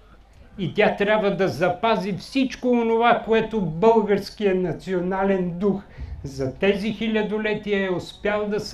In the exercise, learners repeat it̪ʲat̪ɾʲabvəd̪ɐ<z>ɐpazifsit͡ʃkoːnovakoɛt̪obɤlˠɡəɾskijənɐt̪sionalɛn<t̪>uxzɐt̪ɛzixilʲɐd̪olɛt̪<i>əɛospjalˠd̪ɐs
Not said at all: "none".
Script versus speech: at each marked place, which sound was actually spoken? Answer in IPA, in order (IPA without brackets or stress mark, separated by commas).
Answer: z, d̪, i